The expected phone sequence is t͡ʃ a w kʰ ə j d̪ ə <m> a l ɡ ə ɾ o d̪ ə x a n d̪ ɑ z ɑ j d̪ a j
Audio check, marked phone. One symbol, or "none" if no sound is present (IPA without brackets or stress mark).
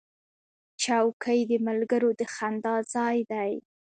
m